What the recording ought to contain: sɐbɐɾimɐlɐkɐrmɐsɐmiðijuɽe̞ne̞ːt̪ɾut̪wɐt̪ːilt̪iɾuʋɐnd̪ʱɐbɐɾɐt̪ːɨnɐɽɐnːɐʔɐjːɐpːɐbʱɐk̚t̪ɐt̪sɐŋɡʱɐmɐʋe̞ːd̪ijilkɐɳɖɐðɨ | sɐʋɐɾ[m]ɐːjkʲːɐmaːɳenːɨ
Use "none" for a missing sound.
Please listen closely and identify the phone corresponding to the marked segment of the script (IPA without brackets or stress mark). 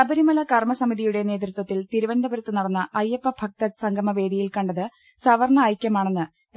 ɳ